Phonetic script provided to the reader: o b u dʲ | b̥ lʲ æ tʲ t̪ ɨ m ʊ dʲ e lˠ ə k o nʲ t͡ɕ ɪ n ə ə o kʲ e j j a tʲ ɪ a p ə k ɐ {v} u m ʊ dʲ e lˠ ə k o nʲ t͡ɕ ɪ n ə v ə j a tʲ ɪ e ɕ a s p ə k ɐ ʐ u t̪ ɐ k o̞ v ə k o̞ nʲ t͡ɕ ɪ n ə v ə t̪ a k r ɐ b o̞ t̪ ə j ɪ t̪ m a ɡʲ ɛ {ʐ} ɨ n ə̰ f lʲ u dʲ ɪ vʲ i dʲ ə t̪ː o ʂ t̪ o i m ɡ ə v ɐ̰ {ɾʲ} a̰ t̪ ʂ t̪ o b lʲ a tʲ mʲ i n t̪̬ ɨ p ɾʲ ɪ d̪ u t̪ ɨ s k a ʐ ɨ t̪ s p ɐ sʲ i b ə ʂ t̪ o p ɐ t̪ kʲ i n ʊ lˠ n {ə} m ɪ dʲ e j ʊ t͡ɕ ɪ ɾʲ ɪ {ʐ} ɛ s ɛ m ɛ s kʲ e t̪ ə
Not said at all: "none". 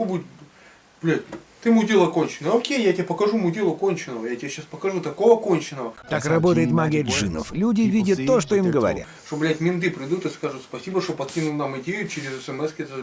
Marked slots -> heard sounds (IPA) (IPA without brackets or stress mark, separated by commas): ʐ, ʐ, ɾʲ, a, z